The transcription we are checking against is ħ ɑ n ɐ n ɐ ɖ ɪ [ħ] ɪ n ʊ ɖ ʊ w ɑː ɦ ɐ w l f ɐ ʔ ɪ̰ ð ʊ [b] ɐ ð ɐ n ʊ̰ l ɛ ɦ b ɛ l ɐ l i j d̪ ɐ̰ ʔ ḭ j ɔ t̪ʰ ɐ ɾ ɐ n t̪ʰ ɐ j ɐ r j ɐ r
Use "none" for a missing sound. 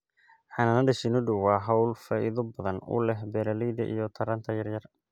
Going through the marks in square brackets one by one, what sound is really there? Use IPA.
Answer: ʃ, b

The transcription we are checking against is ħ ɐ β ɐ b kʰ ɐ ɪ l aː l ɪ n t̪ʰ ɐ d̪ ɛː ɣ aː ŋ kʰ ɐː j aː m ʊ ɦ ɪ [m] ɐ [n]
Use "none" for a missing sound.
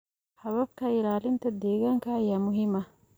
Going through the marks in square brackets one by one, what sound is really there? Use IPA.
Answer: m, none

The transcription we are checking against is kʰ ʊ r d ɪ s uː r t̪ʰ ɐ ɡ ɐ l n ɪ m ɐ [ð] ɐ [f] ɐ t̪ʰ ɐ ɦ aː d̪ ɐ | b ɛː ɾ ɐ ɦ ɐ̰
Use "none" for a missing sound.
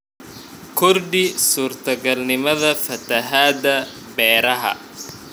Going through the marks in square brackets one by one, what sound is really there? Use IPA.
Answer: ð, f

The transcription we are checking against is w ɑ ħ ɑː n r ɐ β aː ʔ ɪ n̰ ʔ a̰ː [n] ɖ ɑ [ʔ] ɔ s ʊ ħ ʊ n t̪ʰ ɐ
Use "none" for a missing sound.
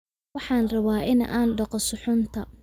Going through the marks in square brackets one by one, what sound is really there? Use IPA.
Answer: n, q

